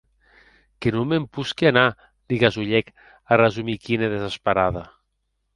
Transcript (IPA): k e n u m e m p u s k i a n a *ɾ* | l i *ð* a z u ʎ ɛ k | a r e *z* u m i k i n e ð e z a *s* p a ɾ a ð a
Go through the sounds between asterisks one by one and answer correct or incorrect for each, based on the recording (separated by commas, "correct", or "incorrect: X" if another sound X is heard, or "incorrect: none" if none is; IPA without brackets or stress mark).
incorrect: none, incorrect: ɣ, correct, correct